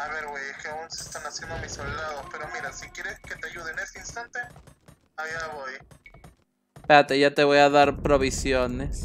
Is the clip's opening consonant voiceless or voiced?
voiced